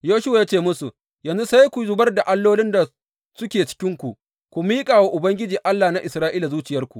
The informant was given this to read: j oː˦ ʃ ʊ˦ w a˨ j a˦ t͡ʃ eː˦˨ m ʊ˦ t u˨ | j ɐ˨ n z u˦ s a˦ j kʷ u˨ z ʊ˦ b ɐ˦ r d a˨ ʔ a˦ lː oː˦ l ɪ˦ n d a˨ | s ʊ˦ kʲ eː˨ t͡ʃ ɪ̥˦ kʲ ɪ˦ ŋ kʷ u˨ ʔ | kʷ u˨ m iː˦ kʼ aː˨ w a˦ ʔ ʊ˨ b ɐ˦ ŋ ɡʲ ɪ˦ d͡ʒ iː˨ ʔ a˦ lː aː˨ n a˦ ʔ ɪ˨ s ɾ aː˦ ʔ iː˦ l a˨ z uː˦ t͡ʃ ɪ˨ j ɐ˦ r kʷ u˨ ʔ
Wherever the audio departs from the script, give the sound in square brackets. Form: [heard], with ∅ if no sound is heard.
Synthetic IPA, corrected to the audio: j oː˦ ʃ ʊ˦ w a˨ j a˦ t͡ʃ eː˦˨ m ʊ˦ [s] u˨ | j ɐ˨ n z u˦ s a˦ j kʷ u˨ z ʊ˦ b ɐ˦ r d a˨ ʔ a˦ lː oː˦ l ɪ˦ n d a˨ | s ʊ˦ kʲ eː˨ t͡ʃ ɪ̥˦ kʲ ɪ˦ ŋ kʷ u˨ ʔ | kʷ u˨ m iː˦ kʼ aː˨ w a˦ ʔ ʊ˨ b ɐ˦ ŋ ɡʲ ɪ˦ d͡ʒ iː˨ ʔ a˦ lː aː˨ n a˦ ʔ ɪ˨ s ɾ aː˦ ʔ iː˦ l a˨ z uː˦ t͡ʃ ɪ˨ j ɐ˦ r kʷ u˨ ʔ